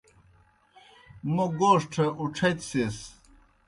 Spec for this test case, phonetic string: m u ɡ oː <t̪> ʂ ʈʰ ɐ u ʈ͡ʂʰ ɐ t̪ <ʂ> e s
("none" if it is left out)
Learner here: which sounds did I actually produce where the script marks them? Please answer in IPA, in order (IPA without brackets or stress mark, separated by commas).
none, s